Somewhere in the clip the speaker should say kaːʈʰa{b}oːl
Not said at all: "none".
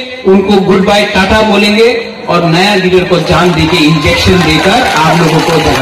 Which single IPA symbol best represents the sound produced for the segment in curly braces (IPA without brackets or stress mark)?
b